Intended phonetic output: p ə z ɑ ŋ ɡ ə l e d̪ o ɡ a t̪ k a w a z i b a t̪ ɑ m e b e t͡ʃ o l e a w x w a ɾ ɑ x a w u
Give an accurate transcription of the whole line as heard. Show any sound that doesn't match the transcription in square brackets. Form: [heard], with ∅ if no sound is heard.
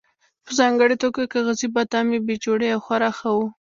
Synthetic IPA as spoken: p ə z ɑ ŋ ɡ ə [ɽ] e [t̪] o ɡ a [∅] k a [ɣ] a z i b a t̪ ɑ m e b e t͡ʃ o [ɽ] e a w x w a ɾ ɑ x a w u